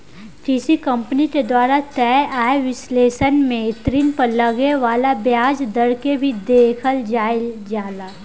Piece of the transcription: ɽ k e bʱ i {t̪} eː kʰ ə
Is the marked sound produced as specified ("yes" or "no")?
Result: no